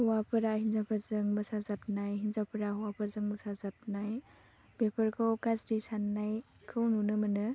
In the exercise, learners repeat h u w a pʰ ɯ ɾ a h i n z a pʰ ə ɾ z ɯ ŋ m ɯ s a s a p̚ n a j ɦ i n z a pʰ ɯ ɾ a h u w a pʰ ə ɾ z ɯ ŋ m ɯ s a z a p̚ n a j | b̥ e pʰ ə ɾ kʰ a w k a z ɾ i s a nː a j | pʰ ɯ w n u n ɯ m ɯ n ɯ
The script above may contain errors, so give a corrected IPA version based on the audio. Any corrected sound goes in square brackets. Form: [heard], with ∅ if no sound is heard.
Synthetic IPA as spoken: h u w a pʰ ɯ ɾ a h i n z a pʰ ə ɾ z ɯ ŋ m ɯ s a [z] a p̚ n a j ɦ i n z a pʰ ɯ ɾ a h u w a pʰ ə ɾ z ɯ ŋ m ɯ s a z a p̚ n a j | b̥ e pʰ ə ɾ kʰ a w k a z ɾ i s a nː a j | [kʰ] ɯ w n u n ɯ m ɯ n ɯ